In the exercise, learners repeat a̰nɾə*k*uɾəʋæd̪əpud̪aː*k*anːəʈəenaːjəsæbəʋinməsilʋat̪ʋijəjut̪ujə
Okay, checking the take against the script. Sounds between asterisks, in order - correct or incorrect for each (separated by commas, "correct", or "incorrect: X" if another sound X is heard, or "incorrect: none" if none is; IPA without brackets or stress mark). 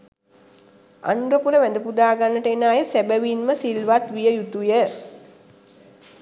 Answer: incorrect: p, incorrect: ɡ